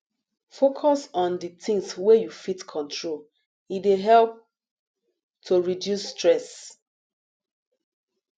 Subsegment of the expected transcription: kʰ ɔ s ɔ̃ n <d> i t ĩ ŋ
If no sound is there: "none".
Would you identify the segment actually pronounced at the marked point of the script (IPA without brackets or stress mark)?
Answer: d